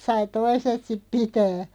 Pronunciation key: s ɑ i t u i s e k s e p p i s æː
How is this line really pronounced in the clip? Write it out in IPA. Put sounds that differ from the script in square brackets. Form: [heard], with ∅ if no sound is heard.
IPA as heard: s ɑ i t [o] i s e [t] s [i] p p i [t] æː